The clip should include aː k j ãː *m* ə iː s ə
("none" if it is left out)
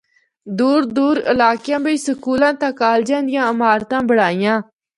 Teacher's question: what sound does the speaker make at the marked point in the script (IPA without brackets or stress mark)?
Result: b